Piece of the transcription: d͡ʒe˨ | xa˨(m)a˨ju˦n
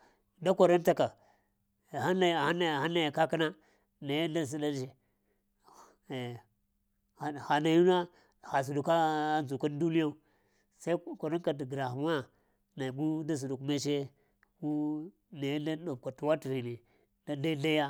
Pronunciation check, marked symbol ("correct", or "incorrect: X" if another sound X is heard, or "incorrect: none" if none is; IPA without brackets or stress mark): incorrect: n